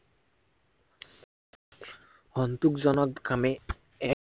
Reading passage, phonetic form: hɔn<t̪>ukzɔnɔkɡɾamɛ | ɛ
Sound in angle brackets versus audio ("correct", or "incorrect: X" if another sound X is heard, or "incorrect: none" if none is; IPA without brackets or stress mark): correct